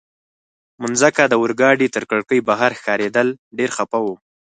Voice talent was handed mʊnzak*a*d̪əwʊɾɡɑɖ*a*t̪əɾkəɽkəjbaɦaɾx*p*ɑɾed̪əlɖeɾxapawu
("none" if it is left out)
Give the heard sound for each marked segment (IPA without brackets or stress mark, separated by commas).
a, i, k